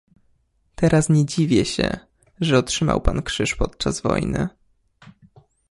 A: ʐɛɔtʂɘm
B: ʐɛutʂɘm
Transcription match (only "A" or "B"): A